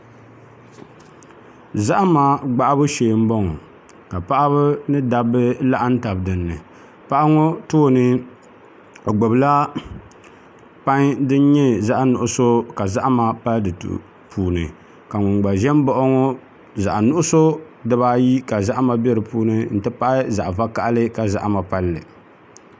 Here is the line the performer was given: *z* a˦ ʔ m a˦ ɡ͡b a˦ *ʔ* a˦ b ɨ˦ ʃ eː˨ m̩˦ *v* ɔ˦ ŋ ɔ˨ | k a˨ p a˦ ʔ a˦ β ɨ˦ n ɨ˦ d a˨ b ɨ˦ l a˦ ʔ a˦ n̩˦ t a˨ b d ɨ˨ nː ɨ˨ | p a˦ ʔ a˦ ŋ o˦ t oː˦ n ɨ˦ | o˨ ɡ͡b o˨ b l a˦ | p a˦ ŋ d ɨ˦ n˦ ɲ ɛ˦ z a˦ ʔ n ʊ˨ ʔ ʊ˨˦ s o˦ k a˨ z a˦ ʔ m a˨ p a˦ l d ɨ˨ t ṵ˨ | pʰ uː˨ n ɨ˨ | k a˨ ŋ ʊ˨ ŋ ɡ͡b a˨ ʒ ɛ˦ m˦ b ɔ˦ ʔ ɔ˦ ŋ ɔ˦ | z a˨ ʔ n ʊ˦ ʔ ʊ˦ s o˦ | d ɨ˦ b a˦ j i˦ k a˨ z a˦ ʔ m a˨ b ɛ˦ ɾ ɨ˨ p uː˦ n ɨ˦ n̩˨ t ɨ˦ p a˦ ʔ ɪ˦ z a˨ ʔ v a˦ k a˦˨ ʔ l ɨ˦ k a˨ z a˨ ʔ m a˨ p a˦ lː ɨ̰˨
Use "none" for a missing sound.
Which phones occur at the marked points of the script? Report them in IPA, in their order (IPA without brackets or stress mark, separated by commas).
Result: z, ʔ, b